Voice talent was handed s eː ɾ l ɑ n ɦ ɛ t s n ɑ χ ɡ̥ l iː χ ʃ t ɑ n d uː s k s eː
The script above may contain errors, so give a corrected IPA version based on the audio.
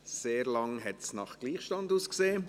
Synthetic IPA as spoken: s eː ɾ l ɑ ŋ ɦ ɛ t s n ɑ χ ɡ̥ l iː χ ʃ t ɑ n d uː s k s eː